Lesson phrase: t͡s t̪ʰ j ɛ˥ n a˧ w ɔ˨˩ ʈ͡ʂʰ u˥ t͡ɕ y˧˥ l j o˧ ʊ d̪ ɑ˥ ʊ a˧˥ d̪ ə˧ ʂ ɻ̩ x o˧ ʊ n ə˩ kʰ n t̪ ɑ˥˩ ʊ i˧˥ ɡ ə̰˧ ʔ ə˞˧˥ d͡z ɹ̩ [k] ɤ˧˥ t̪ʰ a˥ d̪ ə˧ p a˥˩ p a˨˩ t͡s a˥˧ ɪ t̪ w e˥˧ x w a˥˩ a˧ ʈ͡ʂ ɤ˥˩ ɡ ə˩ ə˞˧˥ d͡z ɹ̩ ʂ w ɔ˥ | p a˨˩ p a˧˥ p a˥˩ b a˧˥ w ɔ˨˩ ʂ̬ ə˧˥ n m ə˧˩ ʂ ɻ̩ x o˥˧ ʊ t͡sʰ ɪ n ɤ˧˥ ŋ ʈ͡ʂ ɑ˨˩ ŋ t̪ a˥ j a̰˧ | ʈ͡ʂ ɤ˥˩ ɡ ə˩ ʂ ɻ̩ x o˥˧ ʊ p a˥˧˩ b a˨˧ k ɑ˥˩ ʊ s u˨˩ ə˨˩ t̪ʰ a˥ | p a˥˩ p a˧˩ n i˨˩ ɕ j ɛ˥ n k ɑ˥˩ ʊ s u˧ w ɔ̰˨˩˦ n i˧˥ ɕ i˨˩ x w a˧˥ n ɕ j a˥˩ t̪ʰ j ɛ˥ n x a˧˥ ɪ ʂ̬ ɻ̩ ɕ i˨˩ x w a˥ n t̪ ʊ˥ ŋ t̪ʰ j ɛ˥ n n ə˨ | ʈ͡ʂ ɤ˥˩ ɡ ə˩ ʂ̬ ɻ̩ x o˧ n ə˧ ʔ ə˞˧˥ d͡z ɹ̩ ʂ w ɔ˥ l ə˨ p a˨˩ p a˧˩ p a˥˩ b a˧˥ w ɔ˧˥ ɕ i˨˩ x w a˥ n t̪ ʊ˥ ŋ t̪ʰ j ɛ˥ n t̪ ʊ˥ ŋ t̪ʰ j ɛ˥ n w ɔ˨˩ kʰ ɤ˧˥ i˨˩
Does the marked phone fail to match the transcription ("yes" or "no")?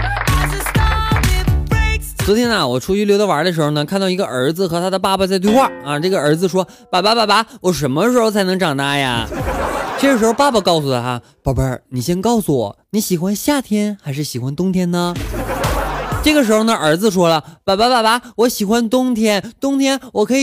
yes